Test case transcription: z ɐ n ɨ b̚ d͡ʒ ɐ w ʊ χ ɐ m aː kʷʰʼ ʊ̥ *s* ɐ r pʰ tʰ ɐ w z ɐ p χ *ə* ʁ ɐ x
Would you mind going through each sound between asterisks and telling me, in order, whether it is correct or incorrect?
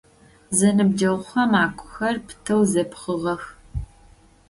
incorrect, correct

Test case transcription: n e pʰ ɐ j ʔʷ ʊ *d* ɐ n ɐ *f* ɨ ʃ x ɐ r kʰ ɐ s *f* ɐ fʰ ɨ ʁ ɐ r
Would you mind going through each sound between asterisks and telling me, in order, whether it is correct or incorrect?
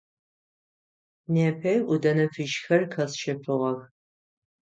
correct, correct, incorrect

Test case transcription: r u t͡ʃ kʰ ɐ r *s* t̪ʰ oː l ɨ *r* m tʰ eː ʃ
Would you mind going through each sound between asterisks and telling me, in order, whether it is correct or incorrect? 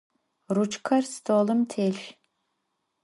correct, incorrect

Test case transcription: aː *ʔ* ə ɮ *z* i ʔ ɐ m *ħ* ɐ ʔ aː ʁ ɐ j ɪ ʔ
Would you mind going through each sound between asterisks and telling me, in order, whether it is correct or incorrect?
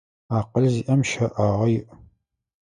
incorrect, correct, incorrect

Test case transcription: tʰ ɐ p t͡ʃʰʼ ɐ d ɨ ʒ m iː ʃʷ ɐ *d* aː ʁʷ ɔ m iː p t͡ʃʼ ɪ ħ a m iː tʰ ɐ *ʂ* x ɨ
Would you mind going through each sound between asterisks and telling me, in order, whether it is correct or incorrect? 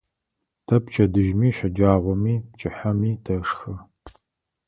incorrect, correct

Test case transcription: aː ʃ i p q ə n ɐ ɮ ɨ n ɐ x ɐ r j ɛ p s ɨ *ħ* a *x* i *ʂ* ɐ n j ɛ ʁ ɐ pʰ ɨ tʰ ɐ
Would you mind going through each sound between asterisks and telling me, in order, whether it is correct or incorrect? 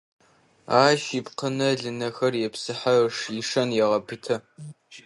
correct, incorrect, correct

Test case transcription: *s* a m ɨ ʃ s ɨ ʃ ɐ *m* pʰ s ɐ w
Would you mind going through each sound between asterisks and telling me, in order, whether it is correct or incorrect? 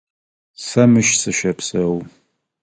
correct, incorrect

